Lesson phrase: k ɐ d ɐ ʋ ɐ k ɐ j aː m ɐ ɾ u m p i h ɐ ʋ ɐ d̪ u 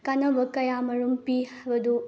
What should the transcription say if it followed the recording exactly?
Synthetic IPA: k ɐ n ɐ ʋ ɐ k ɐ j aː m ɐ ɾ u m p i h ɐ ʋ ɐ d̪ u